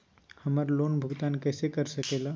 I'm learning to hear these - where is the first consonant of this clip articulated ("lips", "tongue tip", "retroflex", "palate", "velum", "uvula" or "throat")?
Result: throat